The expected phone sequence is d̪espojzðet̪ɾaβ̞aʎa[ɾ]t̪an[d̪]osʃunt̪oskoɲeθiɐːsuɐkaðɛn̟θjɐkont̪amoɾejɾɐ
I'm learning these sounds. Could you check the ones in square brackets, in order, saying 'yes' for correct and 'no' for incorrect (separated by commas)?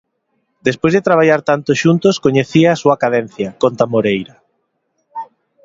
yes, no